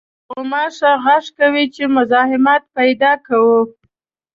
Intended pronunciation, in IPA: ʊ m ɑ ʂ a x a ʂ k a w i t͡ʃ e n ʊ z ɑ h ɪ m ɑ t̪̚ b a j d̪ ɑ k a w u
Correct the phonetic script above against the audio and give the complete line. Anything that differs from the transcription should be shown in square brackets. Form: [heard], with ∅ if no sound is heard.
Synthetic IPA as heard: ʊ m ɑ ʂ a [ɣ] a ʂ k a w i t͡ʃ e [m] ʊ z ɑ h ɪ m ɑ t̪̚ [p] a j d̪ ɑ k a w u